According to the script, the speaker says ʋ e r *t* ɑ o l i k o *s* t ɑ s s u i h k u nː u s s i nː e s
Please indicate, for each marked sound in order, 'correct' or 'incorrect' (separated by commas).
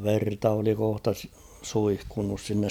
correct, incorrect